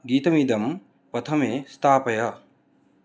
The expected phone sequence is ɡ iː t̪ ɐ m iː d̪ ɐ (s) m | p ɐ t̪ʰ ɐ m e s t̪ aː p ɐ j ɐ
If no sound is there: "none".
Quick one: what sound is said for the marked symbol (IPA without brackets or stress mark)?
none